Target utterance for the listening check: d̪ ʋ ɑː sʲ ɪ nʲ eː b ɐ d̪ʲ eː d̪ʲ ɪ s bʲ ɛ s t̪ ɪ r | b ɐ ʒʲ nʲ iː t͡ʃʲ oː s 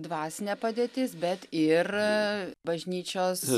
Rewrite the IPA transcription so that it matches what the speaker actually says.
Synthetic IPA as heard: d̪ ʋ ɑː sʲ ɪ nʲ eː p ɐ d̪ʲ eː t̪ʲ ɪ s bʲ ɛ t̪ ɪ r | b ɐ ʒʲ nʲ iː t͡ʃʲ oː s